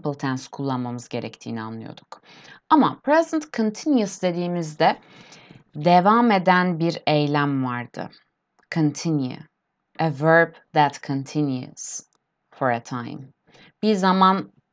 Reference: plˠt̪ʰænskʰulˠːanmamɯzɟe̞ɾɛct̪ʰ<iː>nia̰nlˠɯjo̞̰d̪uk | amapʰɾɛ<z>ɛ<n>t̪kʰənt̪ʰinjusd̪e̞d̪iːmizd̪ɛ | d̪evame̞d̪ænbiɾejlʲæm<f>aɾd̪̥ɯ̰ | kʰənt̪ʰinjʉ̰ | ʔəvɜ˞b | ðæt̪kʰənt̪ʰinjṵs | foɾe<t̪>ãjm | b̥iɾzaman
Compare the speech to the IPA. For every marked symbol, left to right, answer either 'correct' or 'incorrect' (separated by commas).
correct, correct, correct, incorrect, incorrect